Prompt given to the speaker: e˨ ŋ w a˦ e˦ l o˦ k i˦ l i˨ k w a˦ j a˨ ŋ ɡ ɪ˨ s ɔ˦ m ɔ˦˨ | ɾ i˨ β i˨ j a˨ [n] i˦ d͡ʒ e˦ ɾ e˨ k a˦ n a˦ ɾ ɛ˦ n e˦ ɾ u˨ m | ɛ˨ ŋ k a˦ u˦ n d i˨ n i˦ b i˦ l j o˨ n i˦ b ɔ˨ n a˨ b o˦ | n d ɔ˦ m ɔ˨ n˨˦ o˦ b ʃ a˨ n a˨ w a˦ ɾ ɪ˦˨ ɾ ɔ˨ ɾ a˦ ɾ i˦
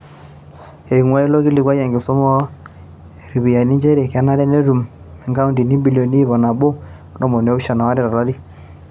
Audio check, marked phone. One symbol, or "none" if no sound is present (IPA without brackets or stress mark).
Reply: n